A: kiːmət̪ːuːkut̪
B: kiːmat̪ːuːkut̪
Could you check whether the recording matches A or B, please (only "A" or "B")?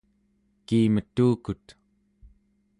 A